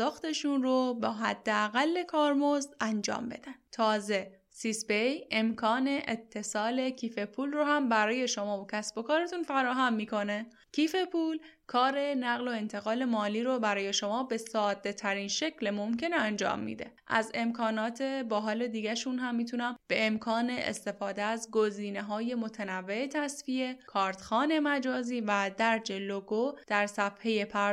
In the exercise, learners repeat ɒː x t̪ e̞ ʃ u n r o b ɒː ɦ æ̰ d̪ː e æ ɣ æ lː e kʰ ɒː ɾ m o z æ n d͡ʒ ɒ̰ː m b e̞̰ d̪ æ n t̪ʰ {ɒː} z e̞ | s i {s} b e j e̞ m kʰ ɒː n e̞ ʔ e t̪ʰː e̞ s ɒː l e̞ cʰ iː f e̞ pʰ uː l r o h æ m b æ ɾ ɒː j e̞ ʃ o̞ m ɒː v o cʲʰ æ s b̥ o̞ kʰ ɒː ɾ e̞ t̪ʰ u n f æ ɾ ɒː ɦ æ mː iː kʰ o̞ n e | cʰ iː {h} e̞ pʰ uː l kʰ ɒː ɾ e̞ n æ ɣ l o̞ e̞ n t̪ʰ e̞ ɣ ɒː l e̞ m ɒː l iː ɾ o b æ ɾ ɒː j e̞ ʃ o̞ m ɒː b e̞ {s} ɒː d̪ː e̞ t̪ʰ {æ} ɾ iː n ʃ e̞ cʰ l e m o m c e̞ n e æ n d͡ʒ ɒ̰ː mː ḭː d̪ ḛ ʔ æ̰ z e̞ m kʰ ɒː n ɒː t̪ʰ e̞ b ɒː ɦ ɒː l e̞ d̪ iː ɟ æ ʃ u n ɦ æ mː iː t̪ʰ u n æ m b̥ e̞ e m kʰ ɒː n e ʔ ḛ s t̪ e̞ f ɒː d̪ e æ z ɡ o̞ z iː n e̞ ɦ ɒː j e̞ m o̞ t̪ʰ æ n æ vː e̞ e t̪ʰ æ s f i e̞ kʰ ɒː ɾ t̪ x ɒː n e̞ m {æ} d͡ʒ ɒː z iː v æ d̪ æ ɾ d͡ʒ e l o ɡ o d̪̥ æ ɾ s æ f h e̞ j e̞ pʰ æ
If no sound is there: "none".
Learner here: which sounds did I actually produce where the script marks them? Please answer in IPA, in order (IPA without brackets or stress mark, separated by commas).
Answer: ɒː, s, f, s, æ, æ